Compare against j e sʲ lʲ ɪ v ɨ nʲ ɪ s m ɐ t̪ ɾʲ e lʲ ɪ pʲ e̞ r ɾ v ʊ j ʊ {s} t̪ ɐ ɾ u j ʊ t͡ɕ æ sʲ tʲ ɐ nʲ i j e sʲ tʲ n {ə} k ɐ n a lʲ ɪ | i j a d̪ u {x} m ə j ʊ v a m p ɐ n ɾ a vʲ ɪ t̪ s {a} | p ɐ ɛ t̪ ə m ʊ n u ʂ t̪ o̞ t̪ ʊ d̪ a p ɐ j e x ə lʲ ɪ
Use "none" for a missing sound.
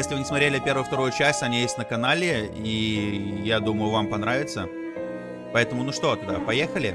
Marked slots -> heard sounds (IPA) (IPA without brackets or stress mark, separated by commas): f, ə, none, ə